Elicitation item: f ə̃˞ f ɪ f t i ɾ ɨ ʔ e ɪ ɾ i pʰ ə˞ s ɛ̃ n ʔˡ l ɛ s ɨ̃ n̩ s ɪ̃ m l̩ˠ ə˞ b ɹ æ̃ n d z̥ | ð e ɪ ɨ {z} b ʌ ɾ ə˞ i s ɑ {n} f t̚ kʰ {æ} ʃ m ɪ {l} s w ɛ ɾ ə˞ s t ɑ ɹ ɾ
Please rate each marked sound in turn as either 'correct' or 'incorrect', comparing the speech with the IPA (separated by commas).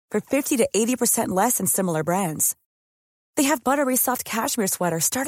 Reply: incorrect, incorrect, correct, incorrect